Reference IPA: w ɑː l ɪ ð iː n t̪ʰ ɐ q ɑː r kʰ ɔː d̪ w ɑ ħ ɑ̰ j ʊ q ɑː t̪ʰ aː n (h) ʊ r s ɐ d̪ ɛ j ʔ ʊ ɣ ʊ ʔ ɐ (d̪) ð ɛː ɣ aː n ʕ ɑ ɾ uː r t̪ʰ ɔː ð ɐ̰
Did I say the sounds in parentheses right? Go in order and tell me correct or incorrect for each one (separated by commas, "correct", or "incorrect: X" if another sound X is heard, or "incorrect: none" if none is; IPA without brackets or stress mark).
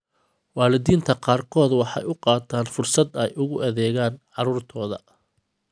incorrect: f, incorrect: none